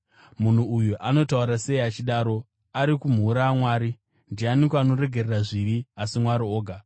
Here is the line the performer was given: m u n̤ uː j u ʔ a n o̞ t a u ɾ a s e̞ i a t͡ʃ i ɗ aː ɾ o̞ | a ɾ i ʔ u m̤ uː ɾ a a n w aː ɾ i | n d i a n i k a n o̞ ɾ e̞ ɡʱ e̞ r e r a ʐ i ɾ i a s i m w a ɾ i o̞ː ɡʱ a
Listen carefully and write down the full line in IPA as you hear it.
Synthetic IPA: m u n̤ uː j u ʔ a n o̞ t a u ɾ a s e̞ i a t͡ʃ i ɗ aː ɾ o̞ | a ɾ i k u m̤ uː ɾ a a m w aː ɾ i | n d i a n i k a n o̞ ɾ e̞ ɡʱ e̞ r e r a ʐ i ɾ i a s i m w a ɾ i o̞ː ɡʱ a